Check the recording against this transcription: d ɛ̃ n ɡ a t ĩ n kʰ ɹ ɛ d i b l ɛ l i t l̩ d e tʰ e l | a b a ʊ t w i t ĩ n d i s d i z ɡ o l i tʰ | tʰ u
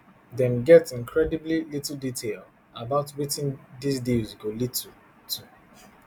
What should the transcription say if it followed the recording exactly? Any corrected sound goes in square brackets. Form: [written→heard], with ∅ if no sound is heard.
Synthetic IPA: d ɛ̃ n ɡ [a→ɛ] t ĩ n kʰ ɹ ɛ d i b l [ɛ→i] l i t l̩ d [e→i] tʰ e l | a b a ʊ t w i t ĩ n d i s d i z ɡ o l i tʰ | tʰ u